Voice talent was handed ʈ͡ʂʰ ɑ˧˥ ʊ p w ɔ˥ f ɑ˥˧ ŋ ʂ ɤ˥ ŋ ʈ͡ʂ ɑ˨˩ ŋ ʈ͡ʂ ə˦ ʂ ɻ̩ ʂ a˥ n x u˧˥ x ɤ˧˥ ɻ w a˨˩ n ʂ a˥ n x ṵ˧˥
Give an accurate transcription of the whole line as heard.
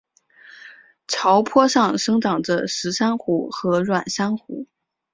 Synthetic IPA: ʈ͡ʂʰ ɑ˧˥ ʊ pʰ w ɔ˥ ʂ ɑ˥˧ ŋ ʂ ɤ˥ ŋ ʈ͡ʂ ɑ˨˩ ŋ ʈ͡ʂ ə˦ ʂ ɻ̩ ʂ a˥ n x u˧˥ x ɤ˧˥ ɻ w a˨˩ n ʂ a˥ n x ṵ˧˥